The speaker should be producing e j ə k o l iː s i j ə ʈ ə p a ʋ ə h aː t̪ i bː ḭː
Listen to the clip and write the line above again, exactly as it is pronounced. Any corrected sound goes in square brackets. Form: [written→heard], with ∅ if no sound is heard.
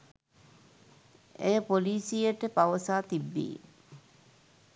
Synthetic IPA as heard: e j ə [k→p] o l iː s i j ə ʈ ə p a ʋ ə [h→s] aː t̪ i bː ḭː